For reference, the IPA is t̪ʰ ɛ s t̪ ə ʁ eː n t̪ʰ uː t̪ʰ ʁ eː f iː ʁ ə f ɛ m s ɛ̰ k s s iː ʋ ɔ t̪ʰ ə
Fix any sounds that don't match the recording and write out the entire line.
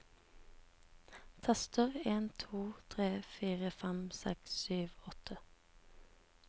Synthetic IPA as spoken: t̪ʰ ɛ s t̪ ə ʁ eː n t̪ʰ uː t̪ʰ ʁ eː f iː ʁ ə f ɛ m s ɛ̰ k s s yː ʋ ɔ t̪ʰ ə